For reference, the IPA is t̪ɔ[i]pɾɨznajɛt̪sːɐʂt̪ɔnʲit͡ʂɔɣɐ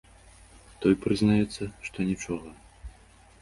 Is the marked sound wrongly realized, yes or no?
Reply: yes